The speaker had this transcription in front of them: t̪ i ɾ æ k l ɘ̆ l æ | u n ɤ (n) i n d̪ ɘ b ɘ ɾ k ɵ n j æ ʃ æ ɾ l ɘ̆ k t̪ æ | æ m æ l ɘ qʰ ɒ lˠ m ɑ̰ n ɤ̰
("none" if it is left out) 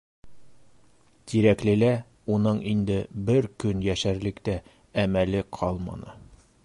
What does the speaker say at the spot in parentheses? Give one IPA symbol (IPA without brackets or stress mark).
ɴ